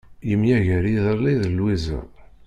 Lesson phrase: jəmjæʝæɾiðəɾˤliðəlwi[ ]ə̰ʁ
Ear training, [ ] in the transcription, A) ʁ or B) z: B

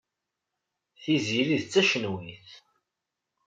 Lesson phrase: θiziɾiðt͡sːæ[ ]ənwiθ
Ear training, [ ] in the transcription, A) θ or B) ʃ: B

